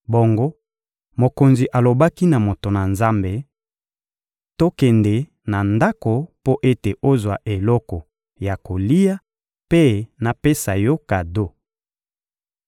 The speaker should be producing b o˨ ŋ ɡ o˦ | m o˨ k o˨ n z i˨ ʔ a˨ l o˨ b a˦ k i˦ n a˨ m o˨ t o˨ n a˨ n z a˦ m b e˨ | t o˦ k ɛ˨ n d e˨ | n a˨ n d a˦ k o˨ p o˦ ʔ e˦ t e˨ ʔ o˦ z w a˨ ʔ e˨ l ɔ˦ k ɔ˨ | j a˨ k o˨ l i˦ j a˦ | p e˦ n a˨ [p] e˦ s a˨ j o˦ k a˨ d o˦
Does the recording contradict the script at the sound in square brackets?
no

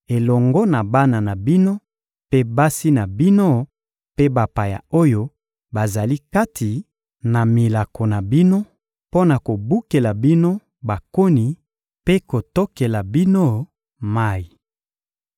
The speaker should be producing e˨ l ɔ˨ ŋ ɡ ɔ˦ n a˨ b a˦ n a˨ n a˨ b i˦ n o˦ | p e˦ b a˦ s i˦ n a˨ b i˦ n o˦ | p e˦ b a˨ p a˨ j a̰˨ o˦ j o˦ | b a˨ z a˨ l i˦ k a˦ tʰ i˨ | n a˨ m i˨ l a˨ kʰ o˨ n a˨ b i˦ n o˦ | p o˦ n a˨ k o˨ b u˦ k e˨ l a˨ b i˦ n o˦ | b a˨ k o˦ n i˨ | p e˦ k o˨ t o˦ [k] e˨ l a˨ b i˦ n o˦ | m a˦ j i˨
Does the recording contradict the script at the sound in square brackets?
no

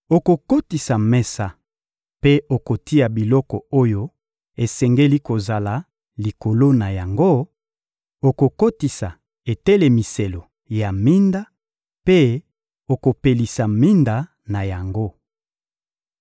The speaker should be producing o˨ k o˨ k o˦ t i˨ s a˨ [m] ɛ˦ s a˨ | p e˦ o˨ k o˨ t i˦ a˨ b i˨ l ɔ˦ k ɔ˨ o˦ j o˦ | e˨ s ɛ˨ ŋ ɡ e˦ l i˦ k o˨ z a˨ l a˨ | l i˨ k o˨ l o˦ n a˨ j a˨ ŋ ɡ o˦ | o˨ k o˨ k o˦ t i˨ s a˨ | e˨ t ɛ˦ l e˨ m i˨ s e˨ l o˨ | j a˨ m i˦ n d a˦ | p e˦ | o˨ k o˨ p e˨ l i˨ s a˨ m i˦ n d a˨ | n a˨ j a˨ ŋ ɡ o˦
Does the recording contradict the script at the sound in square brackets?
no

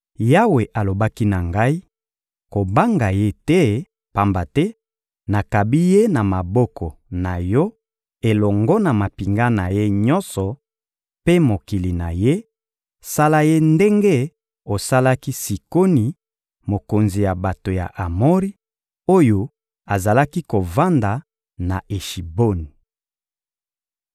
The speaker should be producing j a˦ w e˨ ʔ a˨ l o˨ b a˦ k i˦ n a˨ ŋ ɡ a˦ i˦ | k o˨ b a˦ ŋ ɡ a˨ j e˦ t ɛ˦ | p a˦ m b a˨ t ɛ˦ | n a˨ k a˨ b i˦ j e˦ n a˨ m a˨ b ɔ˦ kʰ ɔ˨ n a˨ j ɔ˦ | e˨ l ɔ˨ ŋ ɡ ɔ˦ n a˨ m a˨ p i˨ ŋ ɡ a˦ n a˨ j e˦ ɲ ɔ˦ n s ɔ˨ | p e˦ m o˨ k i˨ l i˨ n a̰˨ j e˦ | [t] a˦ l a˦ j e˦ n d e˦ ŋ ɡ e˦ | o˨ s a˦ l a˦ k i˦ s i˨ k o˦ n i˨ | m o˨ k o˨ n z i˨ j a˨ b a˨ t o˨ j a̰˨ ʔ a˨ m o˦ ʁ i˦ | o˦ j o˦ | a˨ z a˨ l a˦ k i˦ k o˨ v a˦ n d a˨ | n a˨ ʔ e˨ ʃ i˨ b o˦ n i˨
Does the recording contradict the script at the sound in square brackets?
yes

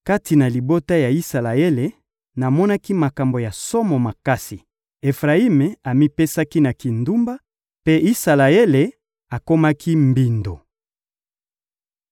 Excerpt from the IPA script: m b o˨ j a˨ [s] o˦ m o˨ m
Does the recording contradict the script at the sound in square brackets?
no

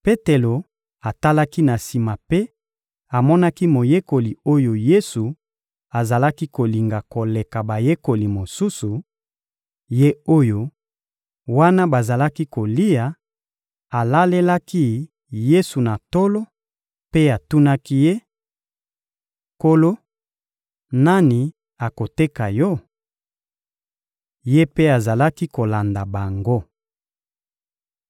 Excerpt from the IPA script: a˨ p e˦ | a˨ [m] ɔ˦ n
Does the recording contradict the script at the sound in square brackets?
no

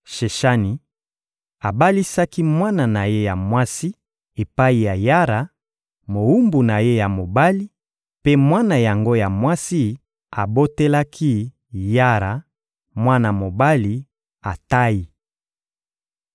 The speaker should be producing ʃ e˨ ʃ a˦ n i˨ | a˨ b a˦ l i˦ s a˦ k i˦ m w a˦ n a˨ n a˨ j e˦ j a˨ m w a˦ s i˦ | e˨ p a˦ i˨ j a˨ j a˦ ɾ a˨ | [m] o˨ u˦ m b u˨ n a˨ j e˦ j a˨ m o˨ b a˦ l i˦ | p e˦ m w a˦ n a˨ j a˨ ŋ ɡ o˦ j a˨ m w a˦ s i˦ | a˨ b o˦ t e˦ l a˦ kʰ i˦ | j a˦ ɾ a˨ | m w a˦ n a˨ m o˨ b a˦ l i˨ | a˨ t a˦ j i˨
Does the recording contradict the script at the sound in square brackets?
no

